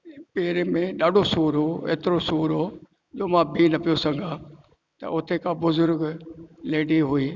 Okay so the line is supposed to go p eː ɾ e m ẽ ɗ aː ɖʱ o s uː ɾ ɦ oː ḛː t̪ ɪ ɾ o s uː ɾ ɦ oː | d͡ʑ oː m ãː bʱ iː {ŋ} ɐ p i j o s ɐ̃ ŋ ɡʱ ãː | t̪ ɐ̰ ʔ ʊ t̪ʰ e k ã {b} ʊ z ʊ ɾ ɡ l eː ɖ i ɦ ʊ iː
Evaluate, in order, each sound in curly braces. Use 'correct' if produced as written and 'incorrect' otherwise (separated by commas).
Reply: incorrect, correct